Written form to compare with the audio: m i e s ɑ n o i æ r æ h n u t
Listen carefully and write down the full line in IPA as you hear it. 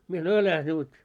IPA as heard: m i e s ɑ n o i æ l æ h n u t